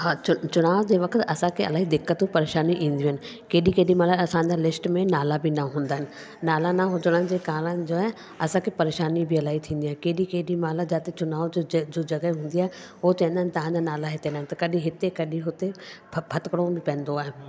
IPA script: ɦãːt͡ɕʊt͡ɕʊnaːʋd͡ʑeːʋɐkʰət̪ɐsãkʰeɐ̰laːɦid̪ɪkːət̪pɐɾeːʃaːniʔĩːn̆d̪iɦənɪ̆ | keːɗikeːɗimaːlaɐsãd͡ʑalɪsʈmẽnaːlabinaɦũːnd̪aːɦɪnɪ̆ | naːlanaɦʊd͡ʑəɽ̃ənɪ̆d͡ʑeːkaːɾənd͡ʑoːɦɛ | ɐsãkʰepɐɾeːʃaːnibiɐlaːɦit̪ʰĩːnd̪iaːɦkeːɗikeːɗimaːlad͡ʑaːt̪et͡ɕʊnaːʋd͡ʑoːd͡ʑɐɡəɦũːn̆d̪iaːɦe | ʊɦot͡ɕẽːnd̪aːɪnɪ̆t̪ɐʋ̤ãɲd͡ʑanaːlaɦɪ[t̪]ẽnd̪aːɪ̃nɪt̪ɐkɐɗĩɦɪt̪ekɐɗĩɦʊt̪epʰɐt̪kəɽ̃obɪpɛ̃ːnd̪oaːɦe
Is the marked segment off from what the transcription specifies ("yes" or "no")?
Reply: no